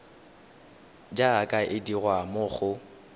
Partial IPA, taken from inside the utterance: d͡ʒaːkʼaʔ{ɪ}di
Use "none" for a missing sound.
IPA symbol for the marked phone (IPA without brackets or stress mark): ɪ